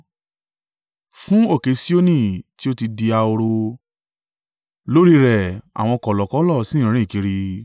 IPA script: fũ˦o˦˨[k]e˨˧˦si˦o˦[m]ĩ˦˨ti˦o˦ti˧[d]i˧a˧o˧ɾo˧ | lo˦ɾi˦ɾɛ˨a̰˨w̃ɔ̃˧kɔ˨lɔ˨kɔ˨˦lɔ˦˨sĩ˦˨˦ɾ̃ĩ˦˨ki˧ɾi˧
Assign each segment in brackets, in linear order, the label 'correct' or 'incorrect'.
correct, incorrect: n, correct

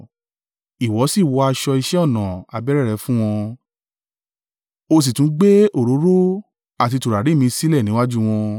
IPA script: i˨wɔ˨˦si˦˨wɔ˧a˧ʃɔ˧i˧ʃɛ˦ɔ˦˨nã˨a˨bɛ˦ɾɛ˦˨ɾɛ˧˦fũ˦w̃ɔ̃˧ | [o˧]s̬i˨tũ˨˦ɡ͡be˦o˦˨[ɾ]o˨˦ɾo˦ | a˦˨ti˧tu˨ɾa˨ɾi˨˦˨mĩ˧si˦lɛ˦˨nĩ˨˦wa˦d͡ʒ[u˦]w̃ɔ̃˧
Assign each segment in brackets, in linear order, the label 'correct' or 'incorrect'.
correct, correct, correct

